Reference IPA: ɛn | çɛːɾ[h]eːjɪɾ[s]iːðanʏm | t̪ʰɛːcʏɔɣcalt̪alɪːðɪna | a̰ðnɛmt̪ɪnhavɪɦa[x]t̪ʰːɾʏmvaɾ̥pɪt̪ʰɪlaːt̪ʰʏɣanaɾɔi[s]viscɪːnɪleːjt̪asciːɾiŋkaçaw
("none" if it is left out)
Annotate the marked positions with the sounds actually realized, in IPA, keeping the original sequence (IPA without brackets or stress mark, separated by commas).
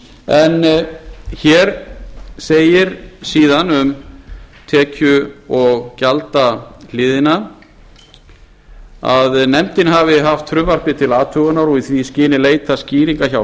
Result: s, s, f, θ